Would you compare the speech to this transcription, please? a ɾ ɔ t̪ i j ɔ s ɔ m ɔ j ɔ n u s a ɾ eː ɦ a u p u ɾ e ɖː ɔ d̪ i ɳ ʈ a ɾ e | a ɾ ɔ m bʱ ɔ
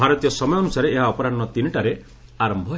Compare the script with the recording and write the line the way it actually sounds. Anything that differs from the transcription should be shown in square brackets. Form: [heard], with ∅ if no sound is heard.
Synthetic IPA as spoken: a ɾ ɔ t̪ i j ɔ s ɔ m ɔ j ɔ n u s a ɾ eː ɦ a [ɔ] p [ɔ] ɾ [a] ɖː ɔ [t̪] i [n] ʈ a ɾ e | a ɾ ɔ m bʱ ɔ